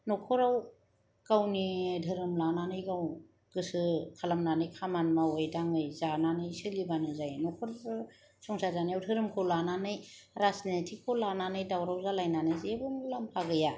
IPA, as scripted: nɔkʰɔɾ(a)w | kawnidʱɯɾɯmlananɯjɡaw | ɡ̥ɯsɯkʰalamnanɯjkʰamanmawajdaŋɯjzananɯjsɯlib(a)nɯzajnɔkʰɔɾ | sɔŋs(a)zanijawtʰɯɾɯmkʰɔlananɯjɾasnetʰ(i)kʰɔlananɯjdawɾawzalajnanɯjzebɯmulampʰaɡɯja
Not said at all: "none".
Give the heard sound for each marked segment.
a, a, a, i

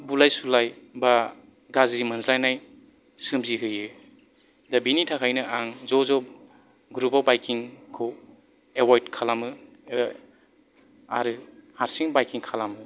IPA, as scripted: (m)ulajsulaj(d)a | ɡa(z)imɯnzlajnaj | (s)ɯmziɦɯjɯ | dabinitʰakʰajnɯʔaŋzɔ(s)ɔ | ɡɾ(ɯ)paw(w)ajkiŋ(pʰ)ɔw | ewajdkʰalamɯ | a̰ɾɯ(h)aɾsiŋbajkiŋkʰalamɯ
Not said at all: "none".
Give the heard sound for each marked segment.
b, b, z, s, z, u, b, kʰ, h

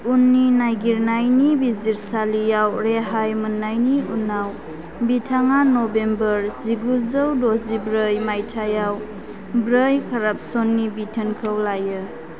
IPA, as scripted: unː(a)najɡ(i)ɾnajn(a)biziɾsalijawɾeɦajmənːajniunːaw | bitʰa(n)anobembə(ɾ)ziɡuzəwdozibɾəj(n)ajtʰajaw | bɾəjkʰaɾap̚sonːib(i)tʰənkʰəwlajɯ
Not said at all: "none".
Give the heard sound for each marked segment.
i, i, i, ŋ, ɾ, m, i

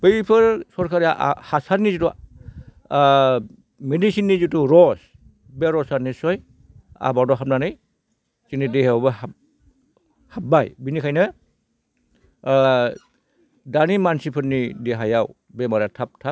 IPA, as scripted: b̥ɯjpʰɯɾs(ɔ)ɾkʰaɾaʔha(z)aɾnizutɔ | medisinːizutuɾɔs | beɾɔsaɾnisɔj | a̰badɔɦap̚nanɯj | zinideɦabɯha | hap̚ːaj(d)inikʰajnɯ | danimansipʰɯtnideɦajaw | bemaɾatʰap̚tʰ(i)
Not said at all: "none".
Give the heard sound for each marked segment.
ɔ, s, b, a

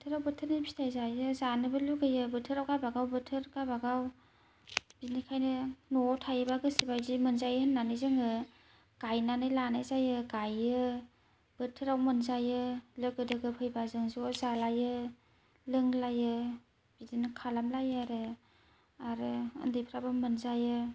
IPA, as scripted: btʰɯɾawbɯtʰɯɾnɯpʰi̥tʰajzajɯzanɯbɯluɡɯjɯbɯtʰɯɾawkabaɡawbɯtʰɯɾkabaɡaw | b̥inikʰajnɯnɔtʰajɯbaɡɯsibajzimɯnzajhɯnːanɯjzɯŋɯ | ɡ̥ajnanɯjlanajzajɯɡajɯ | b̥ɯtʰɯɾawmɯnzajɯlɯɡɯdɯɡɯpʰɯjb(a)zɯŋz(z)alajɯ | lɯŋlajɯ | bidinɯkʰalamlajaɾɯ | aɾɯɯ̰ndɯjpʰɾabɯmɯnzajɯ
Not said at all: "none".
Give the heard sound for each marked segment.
a, z

